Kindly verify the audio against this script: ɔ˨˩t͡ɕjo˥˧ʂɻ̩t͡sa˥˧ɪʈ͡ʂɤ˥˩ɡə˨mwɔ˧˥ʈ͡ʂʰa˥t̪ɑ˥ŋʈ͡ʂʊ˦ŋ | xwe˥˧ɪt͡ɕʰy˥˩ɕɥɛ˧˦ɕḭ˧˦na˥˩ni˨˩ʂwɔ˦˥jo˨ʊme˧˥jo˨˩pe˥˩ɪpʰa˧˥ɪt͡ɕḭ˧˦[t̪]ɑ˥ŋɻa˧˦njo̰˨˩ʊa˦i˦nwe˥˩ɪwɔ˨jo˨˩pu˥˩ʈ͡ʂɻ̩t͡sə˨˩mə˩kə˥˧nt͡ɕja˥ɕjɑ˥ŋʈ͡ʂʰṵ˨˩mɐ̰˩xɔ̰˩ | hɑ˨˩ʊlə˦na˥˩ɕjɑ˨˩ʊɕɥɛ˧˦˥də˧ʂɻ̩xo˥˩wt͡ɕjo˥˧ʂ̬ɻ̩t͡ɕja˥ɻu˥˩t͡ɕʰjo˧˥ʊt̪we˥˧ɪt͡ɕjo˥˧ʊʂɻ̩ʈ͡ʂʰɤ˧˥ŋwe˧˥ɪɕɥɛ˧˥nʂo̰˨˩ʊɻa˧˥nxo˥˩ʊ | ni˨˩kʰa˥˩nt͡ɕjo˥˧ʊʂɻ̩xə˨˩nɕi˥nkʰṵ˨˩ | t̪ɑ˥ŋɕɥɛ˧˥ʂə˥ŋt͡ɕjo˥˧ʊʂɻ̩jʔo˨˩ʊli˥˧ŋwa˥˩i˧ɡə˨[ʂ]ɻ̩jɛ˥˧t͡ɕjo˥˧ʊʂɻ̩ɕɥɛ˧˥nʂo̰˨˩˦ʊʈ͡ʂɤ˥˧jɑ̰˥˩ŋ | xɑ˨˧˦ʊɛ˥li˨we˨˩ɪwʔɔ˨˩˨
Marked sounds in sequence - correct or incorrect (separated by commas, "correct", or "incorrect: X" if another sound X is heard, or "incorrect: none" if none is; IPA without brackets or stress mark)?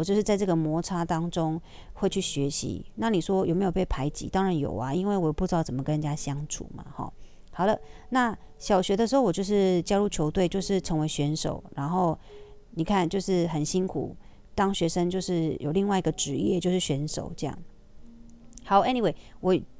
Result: correct, incorrect: ʈ͡ʂ